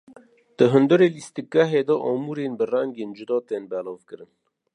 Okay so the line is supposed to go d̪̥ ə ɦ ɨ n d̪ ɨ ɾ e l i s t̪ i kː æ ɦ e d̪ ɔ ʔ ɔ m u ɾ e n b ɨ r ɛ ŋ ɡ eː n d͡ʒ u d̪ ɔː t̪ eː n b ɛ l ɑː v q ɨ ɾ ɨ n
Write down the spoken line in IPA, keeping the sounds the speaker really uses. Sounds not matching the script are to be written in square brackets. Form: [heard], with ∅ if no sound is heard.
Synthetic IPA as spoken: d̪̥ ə ɦ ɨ n d̪ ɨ ɾ e l i s t̪ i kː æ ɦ e d̪ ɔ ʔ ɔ m u ɾ e n b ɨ r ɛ ŋ ɡ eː n d͡ʒ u d̪ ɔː t̪ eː n b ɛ l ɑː v [k] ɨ ɾ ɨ n